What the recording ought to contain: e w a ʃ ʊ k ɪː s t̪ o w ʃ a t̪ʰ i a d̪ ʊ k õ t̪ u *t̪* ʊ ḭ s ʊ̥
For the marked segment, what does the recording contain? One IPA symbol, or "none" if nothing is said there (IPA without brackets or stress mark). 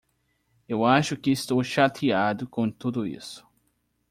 d̪